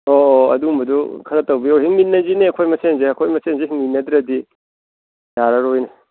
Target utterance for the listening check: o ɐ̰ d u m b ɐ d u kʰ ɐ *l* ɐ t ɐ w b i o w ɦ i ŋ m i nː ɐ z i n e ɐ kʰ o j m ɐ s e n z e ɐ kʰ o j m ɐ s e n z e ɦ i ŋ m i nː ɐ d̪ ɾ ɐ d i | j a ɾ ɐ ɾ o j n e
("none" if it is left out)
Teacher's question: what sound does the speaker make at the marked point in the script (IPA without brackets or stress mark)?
ɾ